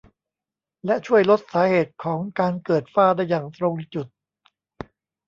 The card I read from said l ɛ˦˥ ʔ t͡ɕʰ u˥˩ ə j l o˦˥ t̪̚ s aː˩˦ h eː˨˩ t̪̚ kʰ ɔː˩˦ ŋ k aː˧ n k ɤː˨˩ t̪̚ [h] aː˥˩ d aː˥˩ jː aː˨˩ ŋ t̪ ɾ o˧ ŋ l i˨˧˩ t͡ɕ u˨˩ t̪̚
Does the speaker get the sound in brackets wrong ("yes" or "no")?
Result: yes